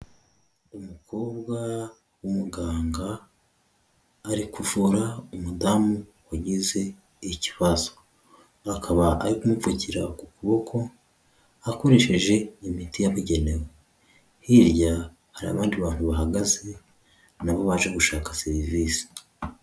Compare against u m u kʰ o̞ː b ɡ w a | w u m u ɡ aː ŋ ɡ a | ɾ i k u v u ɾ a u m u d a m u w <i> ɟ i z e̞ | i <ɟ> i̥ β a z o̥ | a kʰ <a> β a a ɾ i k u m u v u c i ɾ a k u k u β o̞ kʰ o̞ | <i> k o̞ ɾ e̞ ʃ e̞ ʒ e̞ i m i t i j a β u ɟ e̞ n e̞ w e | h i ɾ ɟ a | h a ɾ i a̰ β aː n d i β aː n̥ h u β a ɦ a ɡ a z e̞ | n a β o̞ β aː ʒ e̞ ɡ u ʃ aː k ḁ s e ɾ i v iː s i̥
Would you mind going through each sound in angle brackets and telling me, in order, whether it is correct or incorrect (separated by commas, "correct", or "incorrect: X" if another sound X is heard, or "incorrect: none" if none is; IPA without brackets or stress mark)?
incorrect: a, incorrect: c, correct, incorrect: a